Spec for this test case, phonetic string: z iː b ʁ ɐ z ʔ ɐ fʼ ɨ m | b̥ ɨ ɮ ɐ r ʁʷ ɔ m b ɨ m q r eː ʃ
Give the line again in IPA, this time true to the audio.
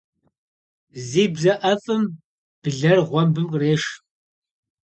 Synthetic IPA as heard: z iː b z ɐ ʔ ɐ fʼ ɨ m | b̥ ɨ ɮ ɐ r ʁʷ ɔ m b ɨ m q r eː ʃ